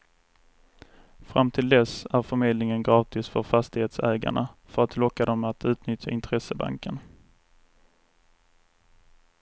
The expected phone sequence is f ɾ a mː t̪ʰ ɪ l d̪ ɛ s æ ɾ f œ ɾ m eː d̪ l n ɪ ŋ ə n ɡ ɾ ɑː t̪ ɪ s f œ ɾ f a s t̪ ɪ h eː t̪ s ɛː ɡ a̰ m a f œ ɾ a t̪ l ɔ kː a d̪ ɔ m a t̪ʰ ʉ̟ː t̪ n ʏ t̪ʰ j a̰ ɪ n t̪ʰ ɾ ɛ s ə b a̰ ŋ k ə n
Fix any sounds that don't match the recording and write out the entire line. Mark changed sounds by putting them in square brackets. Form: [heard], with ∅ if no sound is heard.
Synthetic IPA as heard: f ɾ a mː t̪ʰ ɪ l d̪ ɛ s æ ɾ f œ ɾ m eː d̪ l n ɪ ŋ ə n ɡ ɾ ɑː t̪ ɪ s f œ ɾ f a s t̪ ɪ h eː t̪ s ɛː ɡ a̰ [ɳ] a f œ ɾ a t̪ l ɔ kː a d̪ ɔ m a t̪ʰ ʉ̟ː t̪ n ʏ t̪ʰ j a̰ ɪ n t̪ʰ ɾ ɛ s ə b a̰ ŋ k ə n